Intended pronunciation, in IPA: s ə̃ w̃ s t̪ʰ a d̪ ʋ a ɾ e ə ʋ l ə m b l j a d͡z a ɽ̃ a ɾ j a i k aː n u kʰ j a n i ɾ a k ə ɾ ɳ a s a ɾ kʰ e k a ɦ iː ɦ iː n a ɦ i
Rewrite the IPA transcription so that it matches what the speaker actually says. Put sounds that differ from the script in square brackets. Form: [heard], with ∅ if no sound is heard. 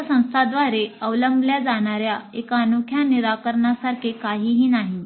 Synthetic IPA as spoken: s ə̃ w̃ s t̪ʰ a d̪ ʋ a ɾ e ə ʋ l ə m b l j a d͡z a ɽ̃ a ɾ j a [e] k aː n u kʰ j a n i ɾ a k ə ɾ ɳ a s a ɾ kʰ e k a ɦ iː ɦ iː n a ɦ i